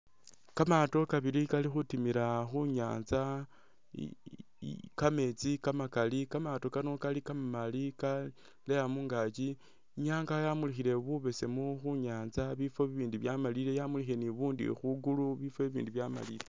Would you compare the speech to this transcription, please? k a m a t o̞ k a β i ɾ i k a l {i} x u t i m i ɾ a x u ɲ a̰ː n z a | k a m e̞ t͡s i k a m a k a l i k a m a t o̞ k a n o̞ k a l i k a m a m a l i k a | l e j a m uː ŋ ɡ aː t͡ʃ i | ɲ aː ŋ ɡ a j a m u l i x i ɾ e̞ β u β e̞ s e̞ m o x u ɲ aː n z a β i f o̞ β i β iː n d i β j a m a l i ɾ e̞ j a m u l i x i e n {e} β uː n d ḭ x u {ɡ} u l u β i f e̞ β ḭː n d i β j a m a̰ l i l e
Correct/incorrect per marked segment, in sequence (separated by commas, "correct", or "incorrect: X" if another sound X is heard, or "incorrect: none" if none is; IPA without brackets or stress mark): correct, incorrect: i, correct